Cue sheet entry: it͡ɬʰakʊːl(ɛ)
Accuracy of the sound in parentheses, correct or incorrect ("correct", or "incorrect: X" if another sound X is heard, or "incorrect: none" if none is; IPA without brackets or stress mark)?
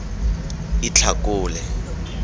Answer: correct